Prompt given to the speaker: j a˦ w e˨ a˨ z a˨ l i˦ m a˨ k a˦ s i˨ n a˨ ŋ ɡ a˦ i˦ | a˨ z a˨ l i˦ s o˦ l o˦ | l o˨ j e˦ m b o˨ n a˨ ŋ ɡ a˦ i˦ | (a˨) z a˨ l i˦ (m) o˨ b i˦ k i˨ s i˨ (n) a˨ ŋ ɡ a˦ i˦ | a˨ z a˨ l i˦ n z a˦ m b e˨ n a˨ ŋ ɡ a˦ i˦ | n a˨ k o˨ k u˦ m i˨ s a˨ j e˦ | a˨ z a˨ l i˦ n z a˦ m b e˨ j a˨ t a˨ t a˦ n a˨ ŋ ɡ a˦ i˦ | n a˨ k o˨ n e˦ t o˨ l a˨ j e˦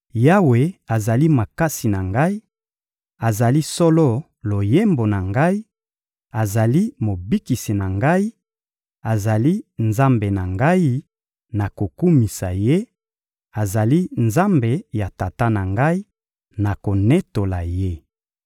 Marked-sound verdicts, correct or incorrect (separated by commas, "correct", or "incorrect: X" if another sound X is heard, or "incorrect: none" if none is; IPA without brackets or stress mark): correct, correct, correct